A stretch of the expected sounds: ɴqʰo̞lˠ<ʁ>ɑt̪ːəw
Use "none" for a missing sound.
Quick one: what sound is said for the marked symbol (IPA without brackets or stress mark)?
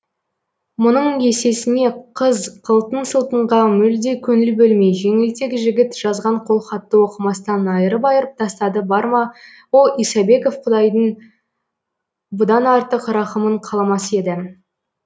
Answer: χ